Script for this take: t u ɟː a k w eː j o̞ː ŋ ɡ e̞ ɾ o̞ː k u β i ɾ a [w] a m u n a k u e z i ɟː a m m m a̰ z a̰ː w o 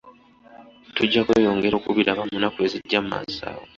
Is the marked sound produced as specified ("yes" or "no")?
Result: no